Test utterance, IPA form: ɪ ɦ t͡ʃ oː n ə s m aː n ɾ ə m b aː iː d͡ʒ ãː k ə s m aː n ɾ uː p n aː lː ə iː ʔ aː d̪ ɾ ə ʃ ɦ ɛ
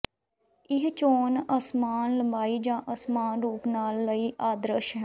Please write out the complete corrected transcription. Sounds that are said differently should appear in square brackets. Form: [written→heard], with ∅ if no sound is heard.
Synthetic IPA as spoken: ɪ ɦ t͡ʃ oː n ə s m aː n [ɾ→l] ə m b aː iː d͡ʒ ãː [k→ʔ] ə s m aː n ɾ uː p n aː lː ə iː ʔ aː d̪ ɾ ə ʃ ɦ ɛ